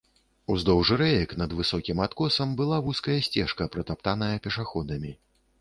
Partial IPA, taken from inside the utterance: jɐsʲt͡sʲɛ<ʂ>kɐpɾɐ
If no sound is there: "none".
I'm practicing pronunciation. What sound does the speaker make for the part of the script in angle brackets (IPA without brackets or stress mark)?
ʂ